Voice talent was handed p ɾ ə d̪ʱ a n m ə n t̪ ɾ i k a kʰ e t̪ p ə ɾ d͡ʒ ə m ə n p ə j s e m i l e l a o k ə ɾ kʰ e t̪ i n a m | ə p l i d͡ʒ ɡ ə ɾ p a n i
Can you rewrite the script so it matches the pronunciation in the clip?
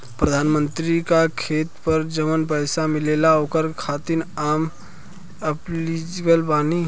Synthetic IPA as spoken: p ɾ ə d̪ʱ a n m ə n t̪ ɾ i k a kʰ e t̪ p ə ɾ d͡ʒ ə m ə n p ə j s a m i l e l a o k ə ɾ kʰ a t̪ i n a m | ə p l i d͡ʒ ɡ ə l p a n i